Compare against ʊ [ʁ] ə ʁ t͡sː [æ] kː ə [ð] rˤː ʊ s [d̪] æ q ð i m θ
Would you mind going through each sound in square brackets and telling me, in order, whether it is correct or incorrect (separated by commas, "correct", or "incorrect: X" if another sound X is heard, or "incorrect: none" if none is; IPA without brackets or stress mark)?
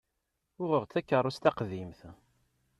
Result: correct, correct, incorrect: none, incorrect: t̪